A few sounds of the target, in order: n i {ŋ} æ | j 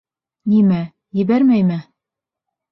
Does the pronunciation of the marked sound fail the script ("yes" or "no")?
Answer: yes